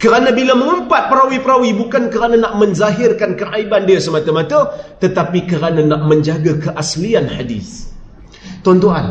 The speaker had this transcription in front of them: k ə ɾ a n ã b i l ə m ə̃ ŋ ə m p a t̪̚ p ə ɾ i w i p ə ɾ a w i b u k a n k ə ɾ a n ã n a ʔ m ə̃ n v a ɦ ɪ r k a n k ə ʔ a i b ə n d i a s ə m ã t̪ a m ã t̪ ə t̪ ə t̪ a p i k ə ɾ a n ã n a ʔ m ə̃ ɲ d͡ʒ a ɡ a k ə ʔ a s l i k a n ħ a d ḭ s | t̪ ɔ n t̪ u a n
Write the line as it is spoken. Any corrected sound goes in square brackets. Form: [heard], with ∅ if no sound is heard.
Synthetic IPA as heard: k ə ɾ a n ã b i l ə m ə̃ ŋ ə m p a t̪̚ p ə ɾ [a] w i p ə ɾ a w i b u k a n k ə ɾ a n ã n a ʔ m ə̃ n [z] a ɦ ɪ r k a n k ə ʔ a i b [a] n d i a s ə m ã t̪ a m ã t̪ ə t̪ ə t̪ a p i k ə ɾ a n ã n a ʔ m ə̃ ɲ d͡ʒ a ɡ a k ə ʔ a s l i [∅] a n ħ a d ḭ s | t̪ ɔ n t̪ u a n